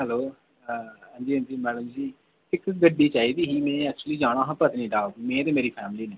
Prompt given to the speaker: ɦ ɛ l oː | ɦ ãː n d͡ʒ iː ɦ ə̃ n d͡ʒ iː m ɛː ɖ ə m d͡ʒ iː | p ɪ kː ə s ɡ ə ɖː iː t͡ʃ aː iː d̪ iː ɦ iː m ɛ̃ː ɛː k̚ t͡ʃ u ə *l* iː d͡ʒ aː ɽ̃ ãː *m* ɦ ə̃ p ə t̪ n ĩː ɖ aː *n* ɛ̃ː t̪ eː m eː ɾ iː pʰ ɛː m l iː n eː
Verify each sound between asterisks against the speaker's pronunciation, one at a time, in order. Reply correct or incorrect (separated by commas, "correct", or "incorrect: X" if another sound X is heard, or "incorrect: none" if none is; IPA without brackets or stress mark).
correct, incorrect: none, incorrect: m